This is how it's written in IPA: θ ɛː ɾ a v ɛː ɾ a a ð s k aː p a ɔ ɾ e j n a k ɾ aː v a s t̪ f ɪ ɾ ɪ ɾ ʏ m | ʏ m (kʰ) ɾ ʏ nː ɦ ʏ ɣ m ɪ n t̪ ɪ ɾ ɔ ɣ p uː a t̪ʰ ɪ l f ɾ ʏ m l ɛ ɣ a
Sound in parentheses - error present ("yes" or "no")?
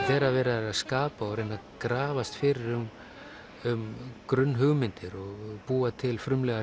yes